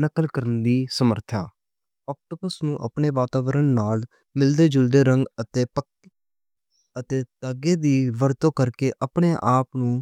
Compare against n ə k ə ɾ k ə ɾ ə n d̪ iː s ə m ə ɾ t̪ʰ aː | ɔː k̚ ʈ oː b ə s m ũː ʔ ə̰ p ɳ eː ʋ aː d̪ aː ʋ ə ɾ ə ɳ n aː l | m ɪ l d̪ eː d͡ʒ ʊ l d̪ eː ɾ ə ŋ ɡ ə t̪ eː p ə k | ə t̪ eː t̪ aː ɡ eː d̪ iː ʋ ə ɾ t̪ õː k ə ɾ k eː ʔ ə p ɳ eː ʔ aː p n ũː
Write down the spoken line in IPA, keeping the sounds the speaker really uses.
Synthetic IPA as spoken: n ə k ə l k ə ɾ ə n d̪ iː s ə m ə ɾ t̪ʰ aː | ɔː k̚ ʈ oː b ə s n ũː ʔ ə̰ p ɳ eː ʋ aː t̪ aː ʋ ə ɾ ə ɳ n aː l | m ɪ l d̪ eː d͡ʒ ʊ l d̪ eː ɾ ə ŋ ɡ ə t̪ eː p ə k | ə t̪ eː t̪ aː ɡ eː d̪ iː ʋ ə ɾ t̪ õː k ə ɾ k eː ʔ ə p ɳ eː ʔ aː p n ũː